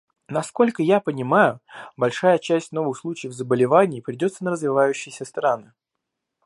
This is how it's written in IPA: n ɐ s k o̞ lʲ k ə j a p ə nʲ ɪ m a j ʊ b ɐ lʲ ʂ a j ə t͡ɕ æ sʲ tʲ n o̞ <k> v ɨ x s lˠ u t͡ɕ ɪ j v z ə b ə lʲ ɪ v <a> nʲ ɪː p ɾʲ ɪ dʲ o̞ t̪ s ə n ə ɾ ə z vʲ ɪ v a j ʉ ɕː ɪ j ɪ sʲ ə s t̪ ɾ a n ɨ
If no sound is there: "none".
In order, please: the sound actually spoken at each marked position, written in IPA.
none, a

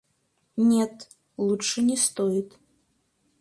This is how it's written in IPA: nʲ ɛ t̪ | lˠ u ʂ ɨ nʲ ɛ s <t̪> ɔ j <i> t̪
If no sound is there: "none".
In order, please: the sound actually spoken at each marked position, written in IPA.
t̪, i

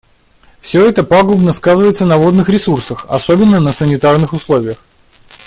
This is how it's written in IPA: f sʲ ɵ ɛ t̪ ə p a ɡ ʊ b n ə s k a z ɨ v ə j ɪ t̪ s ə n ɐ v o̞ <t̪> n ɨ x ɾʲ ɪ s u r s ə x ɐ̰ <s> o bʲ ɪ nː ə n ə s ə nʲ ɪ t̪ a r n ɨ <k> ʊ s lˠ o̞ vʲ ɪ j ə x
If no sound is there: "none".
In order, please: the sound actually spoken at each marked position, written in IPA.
d̪, s, x

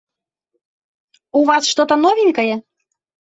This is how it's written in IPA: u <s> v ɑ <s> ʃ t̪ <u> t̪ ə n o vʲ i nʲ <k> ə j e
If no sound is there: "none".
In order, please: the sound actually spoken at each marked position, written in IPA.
none, s, o, k

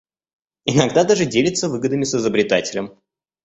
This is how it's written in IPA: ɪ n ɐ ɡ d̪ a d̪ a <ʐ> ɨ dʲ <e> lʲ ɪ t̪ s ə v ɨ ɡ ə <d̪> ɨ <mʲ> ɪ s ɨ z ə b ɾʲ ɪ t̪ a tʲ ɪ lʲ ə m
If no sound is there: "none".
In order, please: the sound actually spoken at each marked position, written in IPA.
ʐ, e, d̪, mʲ

